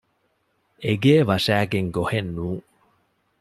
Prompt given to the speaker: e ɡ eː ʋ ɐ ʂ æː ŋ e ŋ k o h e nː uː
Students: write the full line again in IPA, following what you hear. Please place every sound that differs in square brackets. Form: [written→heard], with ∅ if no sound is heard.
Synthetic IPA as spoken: e ɡ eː ʋ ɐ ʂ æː [ŋ→ɡ] e ŋ [k→ɡ] o h e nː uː